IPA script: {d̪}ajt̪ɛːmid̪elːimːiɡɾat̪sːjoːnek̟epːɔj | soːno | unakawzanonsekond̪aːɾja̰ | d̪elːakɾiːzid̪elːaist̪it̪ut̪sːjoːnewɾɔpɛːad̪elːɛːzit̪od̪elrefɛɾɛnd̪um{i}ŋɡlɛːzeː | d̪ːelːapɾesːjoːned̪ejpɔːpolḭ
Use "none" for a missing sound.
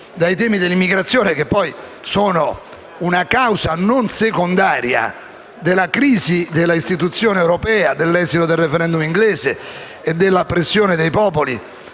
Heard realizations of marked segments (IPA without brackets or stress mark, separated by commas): d̪, i